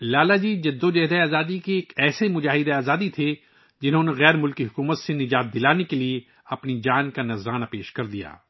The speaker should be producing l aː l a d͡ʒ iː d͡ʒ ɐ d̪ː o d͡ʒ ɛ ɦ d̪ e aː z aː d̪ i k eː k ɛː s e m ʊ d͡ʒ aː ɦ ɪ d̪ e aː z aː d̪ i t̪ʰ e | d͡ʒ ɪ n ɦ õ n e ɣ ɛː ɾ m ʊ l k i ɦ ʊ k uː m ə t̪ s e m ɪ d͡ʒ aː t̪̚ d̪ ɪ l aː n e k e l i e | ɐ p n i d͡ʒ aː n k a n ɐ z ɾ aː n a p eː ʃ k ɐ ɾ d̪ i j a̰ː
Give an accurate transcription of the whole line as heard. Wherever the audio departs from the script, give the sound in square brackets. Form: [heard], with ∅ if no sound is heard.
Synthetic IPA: l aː l a d͡ʒ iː d͡ʒ ɐ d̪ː o d͡ʒ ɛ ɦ d̪ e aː z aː d̪ i k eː k ɛː s e m ʊ d͡ʒ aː ɦ ɪ d̪ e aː z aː d̪ i t̪ʰ e | d͡ʒ ɪ n ɦ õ n e ɣ ɛː ɾ m ʊ l k i ɦ ʊ k uː m ə t̪ s e [n] ɪ d͡ʒ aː t̪̚ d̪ ɪ l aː n e k e l i e | ɐ p n i d͡ʒ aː n k a n ɐ z ɾ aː n a p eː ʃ k ɐ ɾ d̪ i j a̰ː

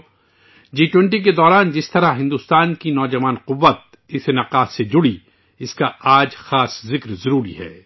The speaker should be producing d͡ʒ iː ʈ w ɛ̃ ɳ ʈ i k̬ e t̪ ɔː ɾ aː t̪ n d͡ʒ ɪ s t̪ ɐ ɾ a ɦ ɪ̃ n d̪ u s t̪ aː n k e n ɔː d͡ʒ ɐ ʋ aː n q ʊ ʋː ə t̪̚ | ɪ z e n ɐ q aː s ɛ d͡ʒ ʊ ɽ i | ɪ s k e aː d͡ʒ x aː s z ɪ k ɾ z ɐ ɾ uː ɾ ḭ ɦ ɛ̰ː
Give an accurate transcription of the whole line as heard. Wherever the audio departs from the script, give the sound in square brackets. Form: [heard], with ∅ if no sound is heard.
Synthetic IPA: d͡ʒ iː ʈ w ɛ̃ ɳ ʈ i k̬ e [d̪] ɔː ɾ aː [∅] n d͡ʒ ɪ s t̪ ɐ ɾ a ɦ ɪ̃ n d̪ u s t̪ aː n k [i] n ɔː d͡ʒ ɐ ʋ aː n q ʊ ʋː ə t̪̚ | ɪ [s] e n ɐ q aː s [e] d͡ʒ ʊ ɽ i | ɪ s k [a] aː d͡ʒ x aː s z ɪ k ɾ z ɐ ɾ uː ɾ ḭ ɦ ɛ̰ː

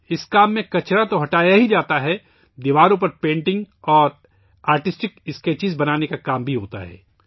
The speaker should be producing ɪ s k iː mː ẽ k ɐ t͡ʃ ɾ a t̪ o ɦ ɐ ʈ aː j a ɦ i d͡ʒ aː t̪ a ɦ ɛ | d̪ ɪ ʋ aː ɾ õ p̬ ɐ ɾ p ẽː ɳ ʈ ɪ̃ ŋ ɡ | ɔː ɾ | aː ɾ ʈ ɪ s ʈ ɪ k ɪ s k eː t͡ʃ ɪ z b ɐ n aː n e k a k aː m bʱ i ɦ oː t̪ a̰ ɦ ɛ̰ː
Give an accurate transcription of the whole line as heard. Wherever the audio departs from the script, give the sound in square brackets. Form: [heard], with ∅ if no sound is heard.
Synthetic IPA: ɪ s k [aː] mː ẽ k ɐ t͡ʃ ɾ a t̪ o ɦ ɐ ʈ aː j a ɦ i d͡ʒ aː t̪ a ɦ ɛ | d̪ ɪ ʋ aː ɾ õ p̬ ɐ ɾ p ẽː ɳ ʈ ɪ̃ ŋ ɡ | ɔː ɾ | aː ɾ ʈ ɪ s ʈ ɪ k ɪ s k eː t͡ʃ ɪ z b ɐ n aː n e k a k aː m bʱ i ɦ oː t̪ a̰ ɦ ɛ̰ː

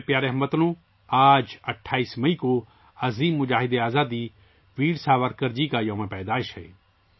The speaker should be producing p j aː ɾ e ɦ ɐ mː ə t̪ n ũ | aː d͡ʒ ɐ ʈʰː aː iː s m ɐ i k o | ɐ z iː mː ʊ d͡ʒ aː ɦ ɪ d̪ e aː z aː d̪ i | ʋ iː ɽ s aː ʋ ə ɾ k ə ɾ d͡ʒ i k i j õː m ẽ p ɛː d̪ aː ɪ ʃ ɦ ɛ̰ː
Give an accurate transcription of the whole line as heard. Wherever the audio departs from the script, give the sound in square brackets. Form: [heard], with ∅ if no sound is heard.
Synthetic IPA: p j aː ɾ e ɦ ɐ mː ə t̪ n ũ | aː d͡ʒ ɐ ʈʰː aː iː s m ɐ i k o | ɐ z iː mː ʊ d͡ʒ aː ɦ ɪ d̪ e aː z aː d̪ i | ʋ iː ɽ s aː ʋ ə ɾ k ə ɾ d͡ʒ i k [a] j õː m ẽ p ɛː d̪ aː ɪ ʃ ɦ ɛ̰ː

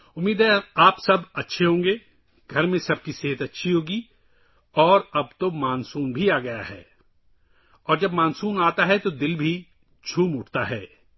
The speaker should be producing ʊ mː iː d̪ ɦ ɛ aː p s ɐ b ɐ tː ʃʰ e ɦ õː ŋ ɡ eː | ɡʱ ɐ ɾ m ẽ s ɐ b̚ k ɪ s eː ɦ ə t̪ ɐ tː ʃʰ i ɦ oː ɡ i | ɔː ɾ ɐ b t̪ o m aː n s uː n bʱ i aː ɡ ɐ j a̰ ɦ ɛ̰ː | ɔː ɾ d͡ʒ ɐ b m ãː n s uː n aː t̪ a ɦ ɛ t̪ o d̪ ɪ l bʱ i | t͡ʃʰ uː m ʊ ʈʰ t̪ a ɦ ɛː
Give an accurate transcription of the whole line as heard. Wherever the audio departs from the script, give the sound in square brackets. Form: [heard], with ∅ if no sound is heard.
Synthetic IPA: ʊ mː iː d̪ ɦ ɛ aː p s ɐ b ɐ tː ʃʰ e ɦ õː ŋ ɡ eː | ɡʱ ɐ ɾ m ẽ s ɐ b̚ k [i] s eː ɦ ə t̪ ɐ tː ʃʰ i ɦ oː ɡ i | ɔː ɾ ɐ b t̪ o m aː n s uː n bʱ i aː ɡ ɐ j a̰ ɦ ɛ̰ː | ɔː ɾ d͡ʒ ɐ b m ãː n s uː n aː t̪ a ɦ ɛ t̪ o d̪ ɪ l bʱ i | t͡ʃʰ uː m ʊ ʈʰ t̪ a ɦ ɛː

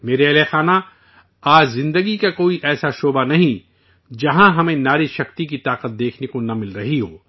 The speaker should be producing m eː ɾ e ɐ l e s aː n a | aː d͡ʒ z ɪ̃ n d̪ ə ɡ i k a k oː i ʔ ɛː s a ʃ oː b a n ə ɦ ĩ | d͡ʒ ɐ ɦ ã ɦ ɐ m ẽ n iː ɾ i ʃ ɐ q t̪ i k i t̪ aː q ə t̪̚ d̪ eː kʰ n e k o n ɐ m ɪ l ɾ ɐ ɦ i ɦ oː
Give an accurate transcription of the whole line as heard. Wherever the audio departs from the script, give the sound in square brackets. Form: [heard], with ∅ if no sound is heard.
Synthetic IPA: m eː ɾ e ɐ l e [x] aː n a | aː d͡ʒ z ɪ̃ n d̪ ə ɡ i k a k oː i ʔ ɛː s a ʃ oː b a n [ɐ] ɦ ĩ | d͡ʒ ɐ ɦ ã ɦ ɐ m ẽ n [aː] ɾ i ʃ ɐ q t̪ i k i t̪ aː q ə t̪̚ d̪ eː kʰ n e k o n ɐ m ɪ l ɾ ɐ ɦ i ɦ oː

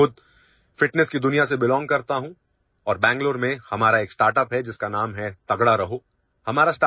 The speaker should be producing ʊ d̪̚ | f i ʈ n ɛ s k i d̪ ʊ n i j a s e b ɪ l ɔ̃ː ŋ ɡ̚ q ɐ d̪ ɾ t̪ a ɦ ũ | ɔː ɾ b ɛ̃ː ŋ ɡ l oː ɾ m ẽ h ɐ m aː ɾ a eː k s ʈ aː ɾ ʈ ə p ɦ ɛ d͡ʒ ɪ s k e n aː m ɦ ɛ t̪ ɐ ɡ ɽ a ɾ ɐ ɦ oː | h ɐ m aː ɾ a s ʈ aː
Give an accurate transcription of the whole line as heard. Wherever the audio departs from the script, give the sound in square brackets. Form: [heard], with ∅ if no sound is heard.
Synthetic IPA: ʊ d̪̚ | f [ɪ] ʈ n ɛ s k i d̪ ʊ n i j a s e b ɪ l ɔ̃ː ŋ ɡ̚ [k] ɐ [∅] ɾ t̪ a ɦ ũ | ɔː ɾ b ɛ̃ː ŋ ɡ l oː ɾ m ẽ h ɐ m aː ɾ a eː k s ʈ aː ɾ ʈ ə p ɦ ɛ d͡ʒ ɪ s k [a] n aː m ɦ ɛ t̪ ɐ ɡ ɽ a ɾ ɐ ɦ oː | h ɐ m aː ɾ a s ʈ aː

